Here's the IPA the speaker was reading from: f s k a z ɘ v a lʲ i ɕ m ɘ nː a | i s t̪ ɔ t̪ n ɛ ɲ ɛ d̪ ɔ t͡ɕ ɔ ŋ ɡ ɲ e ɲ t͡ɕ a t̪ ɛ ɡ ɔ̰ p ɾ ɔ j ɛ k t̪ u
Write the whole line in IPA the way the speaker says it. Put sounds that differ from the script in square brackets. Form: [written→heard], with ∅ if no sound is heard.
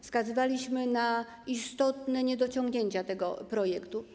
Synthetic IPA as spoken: f s k a z ɘ v a lʲ i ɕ m ɘ [nː→n] a | i s t̪ ɔ t̪ n ɛ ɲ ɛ d̪ ɔ t͡ɕ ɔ ŋ ɡ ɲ e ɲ t͡ɕ a t̪ ɛ ɡ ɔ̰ p ɾ ɔ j ɛ k t̪ u